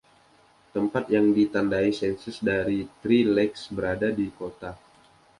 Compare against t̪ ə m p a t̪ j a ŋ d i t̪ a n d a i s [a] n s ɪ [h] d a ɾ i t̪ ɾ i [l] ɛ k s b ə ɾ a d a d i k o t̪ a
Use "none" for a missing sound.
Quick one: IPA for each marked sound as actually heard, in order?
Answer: ɛ, s, l

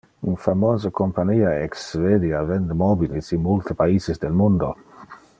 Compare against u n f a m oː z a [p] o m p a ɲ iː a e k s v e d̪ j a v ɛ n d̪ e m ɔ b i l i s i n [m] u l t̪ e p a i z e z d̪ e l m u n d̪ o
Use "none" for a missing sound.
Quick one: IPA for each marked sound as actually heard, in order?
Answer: k, m

